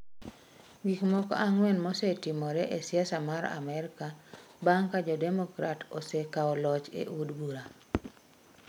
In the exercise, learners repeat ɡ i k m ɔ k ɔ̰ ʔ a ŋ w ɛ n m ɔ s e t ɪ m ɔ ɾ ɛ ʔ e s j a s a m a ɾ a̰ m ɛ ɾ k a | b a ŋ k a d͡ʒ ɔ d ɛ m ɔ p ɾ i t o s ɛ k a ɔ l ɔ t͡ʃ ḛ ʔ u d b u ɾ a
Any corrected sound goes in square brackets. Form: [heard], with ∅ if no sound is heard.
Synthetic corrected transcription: ɡ i k m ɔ k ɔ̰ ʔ a ŋ w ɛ n m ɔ s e t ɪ m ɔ ɾ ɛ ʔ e s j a s a m a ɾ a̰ m ɛ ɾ k a | b a ŋ k a d͡ʒ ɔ d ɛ m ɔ [k] ɾ [a] t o s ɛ k a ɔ l ɔ t͡ʃ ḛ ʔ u d b u ɾ a